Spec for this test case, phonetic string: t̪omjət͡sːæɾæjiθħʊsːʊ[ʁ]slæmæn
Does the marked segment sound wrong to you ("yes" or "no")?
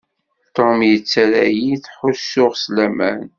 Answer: no